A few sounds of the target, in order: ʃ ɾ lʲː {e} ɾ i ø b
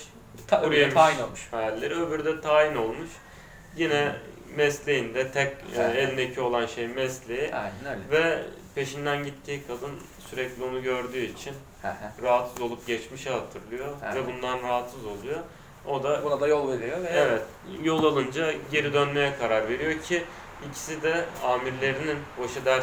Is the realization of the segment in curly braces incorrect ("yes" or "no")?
no